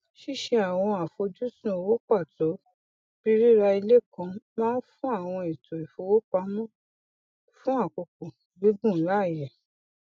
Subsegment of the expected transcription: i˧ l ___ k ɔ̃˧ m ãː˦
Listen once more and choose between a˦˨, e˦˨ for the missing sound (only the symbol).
e˦˨